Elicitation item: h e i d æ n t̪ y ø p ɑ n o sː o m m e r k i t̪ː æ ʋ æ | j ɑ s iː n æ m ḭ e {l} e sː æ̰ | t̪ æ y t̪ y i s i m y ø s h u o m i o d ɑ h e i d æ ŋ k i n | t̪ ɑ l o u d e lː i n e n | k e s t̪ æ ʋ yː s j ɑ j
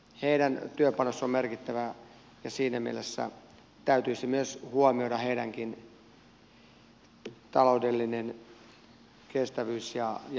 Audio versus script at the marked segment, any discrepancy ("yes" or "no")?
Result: no